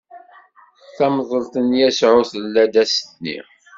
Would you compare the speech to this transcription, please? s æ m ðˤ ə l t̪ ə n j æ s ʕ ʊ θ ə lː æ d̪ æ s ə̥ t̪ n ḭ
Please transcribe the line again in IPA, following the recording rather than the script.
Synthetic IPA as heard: θ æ m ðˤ ə l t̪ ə n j æ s ʕ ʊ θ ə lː æ d̪ æ s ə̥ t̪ n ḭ